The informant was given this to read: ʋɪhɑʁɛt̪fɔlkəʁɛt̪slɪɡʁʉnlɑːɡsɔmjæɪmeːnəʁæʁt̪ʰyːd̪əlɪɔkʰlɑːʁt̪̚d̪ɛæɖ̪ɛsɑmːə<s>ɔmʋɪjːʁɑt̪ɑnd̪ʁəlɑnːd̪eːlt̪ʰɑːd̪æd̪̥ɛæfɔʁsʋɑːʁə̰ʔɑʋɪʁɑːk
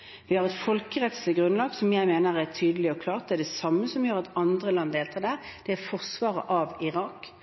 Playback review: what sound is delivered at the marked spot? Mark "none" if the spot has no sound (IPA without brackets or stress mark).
s